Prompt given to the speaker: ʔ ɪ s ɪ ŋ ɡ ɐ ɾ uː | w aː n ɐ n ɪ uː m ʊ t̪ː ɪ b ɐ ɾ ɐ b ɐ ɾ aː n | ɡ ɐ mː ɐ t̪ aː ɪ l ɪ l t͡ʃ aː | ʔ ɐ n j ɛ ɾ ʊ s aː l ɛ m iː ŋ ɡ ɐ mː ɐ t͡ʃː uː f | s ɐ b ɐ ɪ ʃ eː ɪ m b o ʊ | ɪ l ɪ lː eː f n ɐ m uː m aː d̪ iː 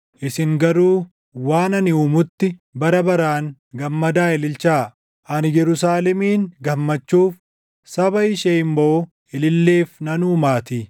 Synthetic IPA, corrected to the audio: ʔ ɪ s ɪ ŋ ɡ ɐ ɾ uː | w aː n ɐ n ɪ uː m ʊ t̪ː ɪ b ɐ ɾ ɐ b ɐ ɾ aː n | ɡ ɐ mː ɐ d̪ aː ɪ l ɪ l t͡ʃ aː | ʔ ɐ n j ɛ ɾ ʊ s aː l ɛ m iː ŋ ɡ ɐ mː ɐ t͡ʃː uː f | s ɐ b ɐ ɪ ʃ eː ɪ m b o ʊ | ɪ l ɪ lː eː f n ɐ n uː m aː t̪ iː